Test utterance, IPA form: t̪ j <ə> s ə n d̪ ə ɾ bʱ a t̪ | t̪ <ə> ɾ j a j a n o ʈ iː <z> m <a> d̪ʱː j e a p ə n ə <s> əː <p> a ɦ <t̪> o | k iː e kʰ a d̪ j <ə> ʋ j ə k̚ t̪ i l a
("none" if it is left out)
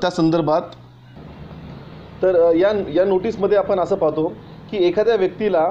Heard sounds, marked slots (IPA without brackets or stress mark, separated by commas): a, ə, s, ə, s, p, t̪, a